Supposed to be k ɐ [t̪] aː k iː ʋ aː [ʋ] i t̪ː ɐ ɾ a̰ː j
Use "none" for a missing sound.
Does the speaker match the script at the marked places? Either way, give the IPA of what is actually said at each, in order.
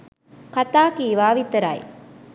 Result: t̪, ʋ

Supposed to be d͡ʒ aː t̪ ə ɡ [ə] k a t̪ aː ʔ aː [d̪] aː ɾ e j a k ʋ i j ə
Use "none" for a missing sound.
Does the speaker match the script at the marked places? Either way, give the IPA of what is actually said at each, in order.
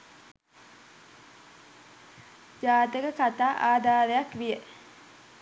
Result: ə, d̪

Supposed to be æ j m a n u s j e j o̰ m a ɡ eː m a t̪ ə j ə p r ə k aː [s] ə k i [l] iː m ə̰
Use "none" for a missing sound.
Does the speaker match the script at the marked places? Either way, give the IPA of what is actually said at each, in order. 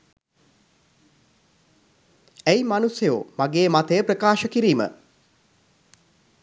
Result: ʃ, ɾ

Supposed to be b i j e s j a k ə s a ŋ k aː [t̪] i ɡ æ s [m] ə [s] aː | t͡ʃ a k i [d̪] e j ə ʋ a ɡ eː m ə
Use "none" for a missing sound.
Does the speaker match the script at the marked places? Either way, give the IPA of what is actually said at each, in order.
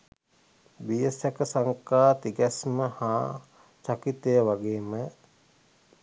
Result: t̪, m, h, t̪

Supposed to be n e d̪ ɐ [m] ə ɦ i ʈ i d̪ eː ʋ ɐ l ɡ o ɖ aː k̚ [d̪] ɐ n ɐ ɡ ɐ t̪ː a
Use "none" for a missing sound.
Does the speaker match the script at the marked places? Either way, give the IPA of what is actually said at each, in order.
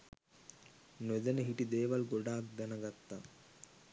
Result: n, d̪

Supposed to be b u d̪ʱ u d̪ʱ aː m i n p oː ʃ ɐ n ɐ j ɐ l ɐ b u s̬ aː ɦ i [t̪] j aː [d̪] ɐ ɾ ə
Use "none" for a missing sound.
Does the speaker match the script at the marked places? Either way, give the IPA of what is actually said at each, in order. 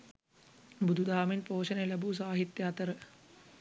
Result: t̪, t̪

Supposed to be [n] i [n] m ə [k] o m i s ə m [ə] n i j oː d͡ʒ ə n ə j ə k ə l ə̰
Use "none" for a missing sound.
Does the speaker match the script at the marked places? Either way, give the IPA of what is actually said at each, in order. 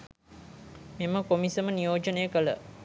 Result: m, none, k, ə

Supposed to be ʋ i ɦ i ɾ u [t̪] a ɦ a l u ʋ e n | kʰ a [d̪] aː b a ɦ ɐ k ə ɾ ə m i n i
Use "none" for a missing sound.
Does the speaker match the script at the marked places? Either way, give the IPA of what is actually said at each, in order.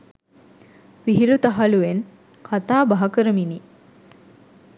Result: t̪, t̪

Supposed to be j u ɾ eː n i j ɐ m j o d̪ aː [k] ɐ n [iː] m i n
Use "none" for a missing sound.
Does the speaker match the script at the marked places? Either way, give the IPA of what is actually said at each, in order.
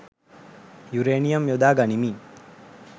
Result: ɡ, i

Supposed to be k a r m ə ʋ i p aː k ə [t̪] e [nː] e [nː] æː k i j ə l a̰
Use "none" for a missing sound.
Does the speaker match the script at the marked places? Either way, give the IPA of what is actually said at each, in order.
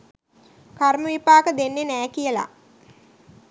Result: d̪, nː, n

